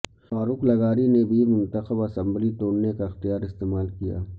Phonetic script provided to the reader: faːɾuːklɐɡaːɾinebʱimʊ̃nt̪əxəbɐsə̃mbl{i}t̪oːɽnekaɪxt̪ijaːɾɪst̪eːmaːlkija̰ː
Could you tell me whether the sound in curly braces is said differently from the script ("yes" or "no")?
no